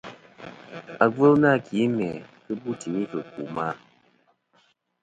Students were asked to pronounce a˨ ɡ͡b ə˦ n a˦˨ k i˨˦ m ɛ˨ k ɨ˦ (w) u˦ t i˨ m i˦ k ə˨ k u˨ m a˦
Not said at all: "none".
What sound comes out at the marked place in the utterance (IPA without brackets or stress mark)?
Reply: b